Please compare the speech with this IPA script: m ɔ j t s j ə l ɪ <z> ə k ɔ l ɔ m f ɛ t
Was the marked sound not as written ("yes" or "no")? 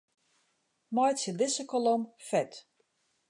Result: yes